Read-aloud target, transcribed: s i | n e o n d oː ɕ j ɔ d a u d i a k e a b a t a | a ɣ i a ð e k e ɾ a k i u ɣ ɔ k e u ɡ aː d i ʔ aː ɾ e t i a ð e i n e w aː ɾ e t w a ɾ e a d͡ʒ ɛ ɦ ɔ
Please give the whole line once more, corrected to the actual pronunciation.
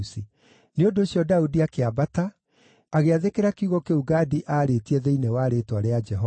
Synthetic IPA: s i | n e o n d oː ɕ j ɔ d a u d i a k e a b a t a | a ɣ e a ð e k e ɾ a k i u ɣ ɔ k e u ɡ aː d i ʔ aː ɾ e t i ɛ ð e i n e w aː ɾ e t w a ɾ e a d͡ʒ ɛ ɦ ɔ